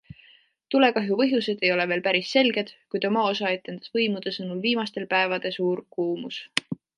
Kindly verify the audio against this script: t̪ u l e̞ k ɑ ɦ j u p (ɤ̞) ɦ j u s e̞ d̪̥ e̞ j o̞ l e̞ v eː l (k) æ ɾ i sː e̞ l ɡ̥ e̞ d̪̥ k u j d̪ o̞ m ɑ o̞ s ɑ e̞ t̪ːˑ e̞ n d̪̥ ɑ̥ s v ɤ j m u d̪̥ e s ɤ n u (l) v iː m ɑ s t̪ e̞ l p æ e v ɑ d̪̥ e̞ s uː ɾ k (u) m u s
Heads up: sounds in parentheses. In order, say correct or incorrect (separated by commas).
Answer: correct, incorrect, correct, incorrect